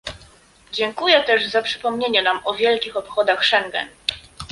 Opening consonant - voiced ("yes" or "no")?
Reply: yes